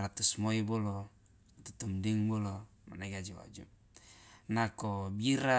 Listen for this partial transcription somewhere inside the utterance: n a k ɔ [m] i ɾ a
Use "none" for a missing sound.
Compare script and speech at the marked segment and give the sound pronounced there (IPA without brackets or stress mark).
b